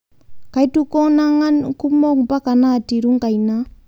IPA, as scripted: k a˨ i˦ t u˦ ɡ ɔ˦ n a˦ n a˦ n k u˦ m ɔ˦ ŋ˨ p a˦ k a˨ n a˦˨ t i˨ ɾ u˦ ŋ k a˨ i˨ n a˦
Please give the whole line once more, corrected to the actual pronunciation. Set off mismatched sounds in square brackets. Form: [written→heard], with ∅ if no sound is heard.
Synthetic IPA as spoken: k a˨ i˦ t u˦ [ɡ→k] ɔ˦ n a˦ [n→ŋ] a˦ n k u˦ m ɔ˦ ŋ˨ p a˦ k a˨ n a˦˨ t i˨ ɾ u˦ ŋ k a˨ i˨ n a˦